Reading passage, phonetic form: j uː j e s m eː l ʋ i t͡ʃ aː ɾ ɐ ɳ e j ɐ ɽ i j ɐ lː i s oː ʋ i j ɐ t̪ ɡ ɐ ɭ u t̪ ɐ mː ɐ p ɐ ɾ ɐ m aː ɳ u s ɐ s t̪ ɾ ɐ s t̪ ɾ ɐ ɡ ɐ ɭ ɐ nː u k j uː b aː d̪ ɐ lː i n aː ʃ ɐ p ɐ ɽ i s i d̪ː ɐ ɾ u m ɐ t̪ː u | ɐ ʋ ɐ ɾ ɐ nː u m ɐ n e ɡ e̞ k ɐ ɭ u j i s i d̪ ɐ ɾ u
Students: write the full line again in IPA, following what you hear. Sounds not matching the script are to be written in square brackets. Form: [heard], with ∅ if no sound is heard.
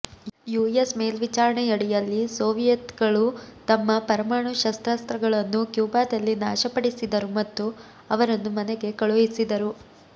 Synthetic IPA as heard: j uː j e s m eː l ʋ i t͡ʃ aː ɾ ɐ ɳ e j ɐ ɽ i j ɐ lː i s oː ʋ i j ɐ t̪ ɡ ɐ ɭ u t̪ ɐ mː ɐ p ɐ ɾ ɐ m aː ɳ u [ʃ] ɐ s t̪ ɾ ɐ s t̪ ɾ ɐ ɡ ɐ ɭ ɐ nː u k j uː b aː d̪ ɐ lː i n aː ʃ ɐ p ɐ ɽ i s i [d̪] ɐ ɾ u m ɐ t̪ː u | ɐ ʋ ɐ ɾ ɐ nː u m ɐ n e ɡ e̞ k ɐ ɭ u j i s i d̪ ɐ ɾ u